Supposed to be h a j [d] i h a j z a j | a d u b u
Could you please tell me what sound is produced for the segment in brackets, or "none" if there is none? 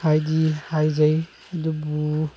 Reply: d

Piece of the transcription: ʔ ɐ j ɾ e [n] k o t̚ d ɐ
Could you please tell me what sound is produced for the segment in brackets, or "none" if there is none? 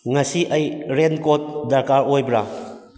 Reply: n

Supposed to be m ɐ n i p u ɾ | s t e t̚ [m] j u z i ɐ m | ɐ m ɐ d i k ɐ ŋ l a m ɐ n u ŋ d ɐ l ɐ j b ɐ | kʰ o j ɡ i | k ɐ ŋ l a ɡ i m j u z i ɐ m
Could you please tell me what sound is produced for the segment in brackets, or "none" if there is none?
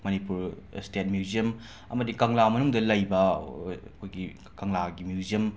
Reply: m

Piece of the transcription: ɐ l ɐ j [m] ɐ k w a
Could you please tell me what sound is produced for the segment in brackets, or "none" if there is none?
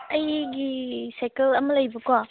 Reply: b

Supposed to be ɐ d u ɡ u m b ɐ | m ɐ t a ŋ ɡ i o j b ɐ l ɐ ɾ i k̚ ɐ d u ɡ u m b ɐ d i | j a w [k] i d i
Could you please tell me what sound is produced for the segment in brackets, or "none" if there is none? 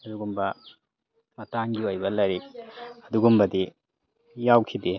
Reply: kʰ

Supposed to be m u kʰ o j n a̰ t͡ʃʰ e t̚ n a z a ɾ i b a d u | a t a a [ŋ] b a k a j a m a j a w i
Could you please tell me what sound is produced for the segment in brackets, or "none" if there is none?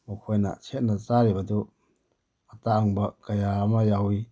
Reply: ŋ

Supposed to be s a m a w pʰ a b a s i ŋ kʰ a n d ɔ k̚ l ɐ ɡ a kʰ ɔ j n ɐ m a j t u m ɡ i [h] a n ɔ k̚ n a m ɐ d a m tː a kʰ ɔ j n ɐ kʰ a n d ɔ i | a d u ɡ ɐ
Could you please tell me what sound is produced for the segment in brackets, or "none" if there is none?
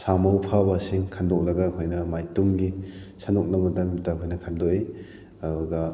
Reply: s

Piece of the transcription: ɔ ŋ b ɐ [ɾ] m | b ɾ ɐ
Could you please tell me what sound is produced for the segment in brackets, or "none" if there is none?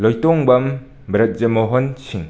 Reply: none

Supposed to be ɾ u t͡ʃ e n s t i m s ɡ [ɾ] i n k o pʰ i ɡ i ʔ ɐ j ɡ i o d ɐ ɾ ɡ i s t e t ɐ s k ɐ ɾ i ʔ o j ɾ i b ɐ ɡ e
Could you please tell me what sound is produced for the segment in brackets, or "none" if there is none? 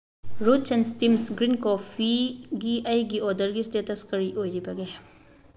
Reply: ɾ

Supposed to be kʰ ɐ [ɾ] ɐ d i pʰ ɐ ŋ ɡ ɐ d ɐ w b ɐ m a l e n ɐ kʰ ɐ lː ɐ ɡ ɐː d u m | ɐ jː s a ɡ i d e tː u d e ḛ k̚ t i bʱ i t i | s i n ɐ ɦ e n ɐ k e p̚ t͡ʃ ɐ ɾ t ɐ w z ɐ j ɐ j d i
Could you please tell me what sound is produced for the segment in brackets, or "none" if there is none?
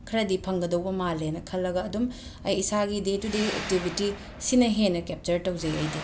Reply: ɾ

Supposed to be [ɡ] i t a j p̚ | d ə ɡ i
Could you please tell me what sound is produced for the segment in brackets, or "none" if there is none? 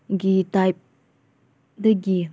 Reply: ɡ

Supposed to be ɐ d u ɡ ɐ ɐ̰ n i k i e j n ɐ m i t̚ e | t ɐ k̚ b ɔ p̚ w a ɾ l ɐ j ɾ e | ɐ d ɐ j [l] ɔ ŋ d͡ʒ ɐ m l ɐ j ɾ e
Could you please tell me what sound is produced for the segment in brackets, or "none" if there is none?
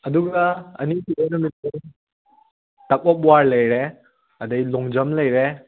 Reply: l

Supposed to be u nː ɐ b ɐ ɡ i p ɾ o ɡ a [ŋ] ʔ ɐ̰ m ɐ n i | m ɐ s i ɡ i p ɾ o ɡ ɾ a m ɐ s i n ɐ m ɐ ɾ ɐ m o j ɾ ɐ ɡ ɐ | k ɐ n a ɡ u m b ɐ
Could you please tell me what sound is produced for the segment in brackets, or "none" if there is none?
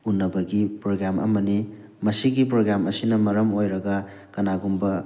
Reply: m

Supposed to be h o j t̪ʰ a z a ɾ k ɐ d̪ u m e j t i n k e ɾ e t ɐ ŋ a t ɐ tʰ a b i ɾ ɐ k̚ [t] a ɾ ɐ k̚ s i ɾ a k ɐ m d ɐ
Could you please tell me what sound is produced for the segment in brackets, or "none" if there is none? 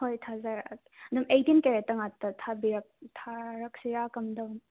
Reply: tʰ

